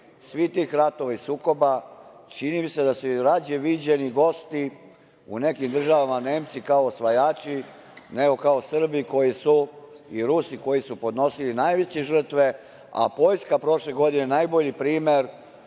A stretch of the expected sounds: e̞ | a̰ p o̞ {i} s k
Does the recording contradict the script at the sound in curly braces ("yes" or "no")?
yes